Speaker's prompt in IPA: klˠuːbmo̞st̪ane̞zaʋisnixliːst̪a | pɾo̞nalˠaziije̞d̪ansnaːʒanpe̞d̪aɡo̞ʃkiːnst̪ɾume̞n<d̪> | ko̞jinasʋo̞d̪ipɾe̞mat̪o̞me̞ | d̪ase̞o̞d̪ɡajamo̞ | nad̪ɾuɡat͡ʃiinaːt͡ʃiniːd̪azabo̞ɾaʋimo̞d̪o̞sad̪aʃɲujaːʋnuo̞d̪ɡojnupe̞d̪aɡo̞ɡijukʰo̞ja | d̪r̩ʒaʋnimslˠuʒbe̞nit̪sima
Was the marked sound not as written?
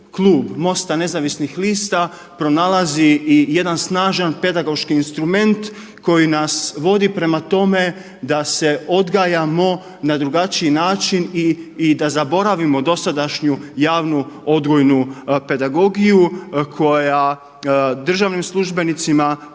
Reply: yes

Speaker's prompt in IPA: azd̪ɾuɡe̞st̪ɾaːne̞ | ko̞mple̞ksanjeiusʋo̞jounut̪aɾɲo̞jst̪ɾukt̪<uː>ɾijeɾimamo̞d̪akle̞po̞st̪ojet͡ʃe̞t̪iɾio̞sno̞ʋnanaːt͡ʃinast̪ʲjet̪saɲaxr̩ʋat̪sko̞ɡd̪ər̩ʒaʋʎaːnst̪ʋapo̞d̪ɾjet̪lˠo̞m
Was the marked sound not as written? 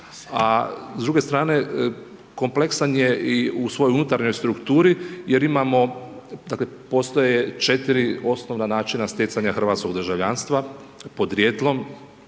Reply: no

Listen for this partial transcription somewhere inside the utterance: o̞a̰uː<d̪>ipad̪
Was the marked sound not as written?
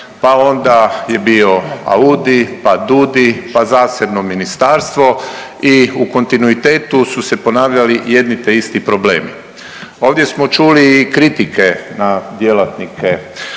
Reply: no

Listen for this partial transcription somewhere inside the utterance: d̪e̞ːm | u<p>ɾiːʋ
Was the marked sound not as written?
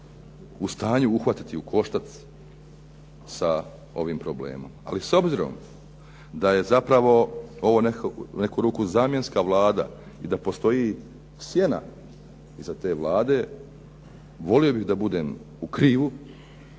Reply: yes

